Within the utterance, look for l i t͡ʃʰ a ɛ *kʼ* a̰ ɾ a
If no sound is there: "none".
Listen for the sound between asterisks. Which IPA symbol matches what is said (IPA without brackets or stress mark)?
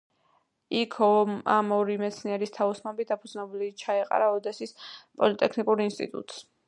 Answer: qʼ